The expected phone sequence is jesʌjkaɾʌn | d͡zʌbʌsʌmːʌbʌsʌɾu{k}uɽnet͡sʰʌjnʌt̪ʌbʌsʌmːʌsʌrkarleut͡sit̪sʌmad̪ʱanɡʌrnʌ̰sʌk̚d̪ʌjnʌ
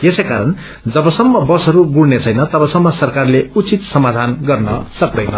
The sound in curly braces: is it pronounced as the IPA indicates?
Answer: no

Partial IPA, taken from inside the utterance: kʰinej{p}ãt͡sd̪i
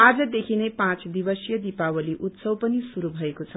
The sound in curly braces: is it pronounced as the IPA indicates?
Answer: yes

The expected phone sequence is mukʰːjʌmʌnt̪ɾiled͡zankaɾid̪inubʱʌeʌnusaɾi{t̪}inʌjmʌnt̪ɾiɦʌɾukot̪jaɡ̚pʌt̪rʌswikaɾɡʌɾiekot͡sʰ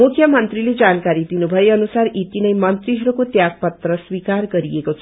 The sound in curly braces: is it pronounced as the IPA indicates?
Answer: yes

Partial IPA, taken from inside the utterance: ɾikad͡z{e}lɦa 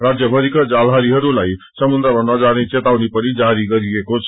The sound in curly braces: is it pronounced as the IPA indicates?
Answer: no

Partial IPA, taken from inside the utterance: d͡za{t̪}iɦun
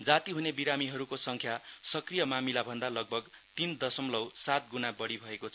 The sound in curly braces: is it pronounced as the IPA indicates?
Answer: yes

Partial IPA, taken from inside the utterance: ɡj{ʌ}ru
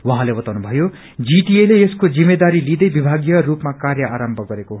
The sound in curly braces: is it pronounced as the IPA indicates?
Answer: yes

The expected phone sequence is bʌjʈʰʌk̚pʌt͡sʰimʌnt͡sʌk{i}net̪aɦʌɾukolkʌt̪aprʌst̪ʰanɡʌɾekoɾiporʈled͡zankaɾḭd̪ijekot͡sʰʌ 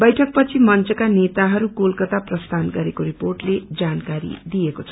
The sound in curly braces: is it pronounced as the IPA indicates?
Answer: no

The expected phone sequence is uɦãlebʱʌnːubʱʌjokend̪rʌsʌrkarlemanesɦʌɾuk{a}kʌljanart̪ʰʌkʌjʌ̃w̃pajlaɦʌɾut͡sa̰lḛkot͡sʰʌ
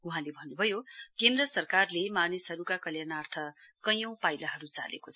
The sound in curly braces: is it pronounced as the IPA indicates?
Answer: yes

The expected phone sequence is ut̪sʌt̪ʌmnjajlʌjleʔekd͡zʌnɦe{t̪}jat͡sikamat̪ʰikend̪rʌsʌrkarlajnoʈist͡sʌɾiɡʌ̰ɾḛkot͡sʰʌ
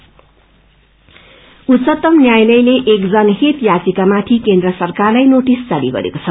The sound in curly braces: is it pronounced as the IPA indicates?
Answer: yes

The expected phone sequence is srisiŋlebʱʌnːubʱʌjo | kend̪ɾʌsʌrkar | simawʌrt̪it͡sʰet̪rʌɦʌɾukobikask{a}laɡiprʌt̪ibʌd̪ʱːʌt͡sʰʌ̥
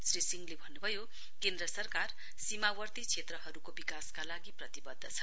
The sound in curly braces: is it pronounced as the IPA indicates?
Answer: yes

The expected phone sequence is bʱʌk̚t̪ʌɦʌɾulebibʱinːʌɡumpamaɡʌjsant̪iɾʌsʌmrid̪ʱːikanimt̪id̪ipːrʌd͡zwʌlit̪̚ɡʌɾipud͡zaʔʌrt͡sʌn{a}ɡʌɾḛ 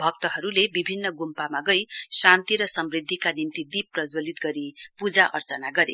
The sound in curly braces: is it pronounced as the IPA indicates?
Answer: yes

